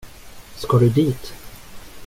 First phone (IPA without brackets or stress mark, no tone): s